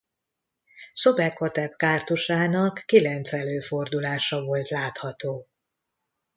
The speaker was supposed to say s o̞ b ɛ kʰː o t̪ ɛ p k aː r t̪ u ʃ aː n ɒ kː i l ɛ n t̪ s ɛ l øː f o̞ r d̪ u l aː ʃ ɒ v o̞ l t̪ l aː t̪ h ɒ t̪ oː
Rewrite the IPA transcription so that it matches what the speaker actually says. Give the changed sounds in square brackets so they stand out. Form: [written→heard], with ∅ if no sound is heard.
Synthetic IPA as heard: s o̞ b ɛ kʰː o t̪ ɛ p k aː r t̪ u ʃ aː n ɒ kː i l ɛ n t̪ s ɛ l øː f o̞ r d̪ u l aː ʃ ɒ v o̞ l t̪ l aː t̪ h ɒ t̪ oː

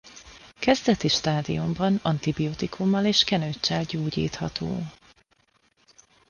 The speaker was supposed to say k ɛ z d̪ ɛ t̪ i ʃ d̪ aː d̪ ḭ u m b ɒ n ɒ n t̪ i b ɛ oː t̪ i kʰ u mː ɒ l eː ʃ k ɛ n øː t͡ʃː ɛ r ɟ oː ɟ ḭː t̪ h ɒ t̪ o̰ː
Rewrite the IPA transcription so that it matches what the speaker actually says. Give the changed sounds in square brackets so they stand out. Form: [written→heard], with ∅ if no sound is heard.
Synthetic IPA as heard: k ɛ z d̪ ɛ t̪ i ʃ [d̪→t̪] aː d̪ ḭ u m b ɒ n ɒ n t̪ i b [ɛ→i] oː t̪ i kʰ u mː ɒ l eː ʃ k ɛ n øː t͡ʃː ɛ [r→l] ɟ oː ɟ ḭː t̪ h ɒ t̪ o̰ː

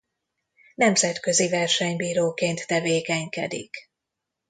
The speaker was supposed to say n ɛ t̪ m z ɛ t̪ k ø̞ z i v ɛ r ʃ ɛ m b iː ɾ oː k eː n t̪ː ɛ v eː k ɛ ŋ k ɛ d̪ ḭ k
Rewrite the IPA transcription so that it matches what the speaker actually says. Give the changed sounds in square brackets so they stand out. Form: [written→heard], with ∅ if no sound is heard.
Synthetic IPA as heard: n ɛ [t̪→∅] m z ɛ t̪ k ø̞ z i v ɛ r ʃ ɛ [m→ɲ] b iː ɾ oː k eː n t̪ː ɛ v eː k ɛ [ŋ→ɲ] k ɛ d̪ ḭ k

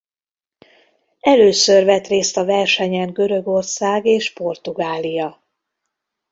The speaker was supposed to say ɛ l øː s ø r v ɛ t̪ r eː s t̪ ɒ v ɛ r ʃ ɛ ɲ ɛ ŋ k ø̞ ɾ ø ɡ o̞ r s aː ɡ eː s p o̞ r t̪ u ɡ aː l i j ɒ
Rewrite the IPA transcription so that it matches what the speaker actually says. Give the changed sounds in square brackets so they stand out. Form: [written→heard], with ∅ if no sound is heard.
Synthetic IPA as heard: ɛ l øː s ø r v ɛ t̪ r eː s t̪ ɒ v ɛ r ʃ ɛ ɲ ɛ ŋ [k→ɡ] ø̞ ɾ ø ɡ o̞ r s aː ɡ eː [s→ʃ] p o̞ r t̪ u ɡ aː l i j ɒ

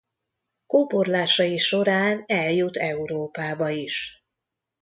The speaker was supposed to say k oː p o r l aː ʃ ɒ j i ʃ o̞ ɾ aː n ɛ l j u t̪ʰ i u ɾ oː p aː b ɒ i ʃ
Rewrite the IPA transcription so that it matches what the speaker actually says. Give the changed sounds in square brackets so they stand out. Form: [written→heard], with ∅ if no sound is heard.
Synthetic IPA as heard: k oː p o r l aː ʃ ɒ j i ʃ o̞ ɾ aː n ɛ l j u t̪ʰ [i→ɛ] u ɾ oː p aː b ɒ i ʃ

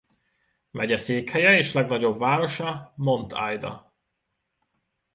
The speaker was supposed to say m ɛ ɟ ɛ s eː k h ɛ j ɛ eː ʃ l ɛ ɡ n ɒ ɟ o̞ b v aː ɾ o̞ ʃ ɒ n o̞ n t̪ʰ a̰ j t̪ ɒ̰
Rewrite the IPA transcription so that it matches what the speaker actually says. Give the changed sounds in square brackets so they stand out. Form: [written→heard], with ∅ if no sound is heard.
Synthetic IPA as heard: m ɛ ɟ ɛ s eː k h ɛ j ɛ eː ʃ l ɛ ɡ n ɒ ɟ o̞ b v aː ɾ o̞ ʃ ɒ [n→m] o̞ n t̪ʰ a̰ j [t̪→d̪] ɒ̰

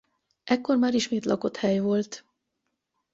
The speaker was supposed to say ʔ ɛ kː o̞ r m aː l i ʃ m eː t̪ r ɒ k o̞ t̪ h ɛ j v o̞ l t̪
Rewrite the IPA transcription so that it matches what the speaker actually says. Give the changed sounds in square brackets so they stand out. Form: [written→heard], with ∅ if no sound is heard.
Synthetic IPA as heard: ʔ ɛ kː o̞ r m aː [l→ɾ] i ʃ m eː t̪ [r→l] ɒ k o̞ t̪ h ɛ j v o̞ l t̪

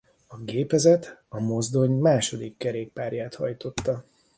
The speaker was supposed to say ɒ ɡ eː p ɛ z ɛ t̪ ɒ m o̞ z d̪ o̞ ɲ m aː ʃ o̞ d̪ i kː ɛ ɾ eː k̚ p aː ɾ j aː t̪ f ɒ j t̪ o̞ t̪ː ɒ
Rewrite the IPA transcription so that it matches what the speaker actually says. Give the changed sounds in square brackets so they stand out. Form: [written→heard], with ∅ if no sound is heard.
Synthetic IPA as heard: ɒ ɡ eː p ɛ z ɛ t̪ ɒ m o̞ z d̪ o̞ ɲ m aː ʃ o̞ d̪ i kː ɛ ɾ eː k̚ p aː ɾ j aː t̪ [f→h] ɒ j t̪ o̞ t̪ː ɒ

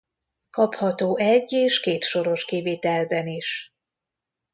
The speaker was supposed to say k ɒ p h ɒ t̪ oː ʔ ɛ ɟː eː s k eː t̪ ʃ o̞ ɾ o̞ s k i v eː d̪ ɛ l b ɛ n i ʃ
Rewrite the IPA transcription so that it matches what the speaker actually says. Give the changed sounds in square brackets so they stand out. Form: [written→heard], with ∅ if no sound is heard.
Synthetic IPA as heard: k ɒ p h ɒ t̪ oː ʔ ɛ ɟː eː [s→ʃ] k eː t̪ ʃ o̞ ɾ o̞ [s→ʃ] k i v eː [d̪→t̪] ɛ l b ɛ n i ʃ

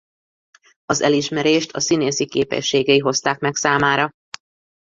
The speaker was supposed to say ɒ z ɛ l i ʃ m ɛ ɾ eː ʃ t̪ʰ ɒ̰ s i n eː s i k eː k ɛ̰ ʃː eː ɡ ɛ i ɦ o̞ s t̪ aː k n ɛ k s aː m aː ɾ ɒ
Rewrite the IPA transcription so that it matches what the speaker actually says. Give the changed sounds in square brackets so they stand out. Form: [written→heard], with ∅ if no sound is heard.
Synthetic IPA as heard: ɒ z ɛ l i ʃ m ɛ ɾ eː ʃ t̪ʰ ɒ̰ s i n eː s i k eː [k→p] ɛ̰ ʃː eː ɡ ɛ i ɦ o̞ s t̪ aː k [n→m] ɛ k s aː m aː ɾ ɒ

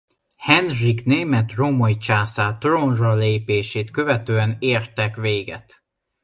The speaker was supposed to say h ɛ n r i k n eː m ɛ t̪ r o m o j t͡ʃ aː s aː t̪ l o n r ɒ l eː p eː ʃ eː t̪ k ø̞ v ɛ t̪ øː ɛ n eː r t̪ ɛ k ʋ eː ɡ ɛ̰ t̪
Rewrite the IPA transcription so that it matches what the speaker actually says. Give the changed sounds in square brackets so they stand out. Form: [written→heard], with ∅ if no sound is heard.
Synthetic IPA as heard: h ɛ n r i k n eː m ɛ t̪ r o m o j t͡ʃ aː s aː t̪ [l→r] o n r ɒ l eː p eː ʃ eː t̪ k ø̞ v ɛ t̪ øː ɛ n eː r t̪ ɛ k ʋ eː ɡ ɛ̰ t̪

